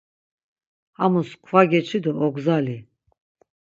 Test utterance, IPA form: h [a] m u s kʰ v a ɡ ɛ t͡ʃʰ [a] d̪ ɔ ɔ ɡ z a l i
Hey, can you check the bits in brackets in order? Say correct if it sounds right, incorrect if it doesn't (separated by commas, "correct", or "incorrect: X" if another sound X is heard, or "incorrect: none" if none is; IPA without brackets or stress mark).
correct, incorrect: i